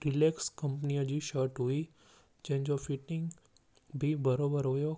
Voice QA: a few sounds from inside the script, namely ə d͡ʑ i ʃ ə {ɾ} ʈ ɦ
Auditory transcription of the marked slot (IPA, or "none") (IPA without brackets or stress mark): ɾ